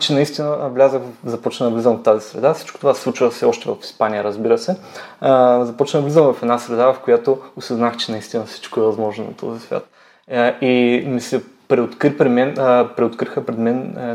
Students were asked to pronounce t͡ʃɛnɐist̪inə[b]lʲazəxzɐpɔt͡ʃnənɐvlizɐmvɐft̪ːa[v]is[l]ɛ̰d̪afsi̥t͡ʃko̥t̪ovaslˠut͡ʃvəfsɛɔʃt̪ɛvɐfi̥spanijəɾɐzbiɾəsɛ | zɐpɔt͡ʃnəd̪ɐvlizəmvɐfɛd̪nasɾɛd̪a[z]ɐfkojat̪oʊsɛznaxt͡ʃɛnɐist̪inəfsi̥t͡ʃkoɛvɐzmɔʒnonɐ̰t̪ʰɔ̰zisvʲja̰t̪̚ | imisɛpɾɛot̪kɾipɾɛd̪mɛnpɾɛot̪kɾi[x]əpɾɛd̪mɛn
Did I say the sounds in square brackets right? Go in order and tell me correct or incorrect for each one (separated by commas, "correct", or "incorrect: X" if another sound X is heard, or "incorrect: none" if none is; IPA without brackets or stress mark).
incorrect: v, incorrect: z, incorrect: ɾ, incorrect: v, correct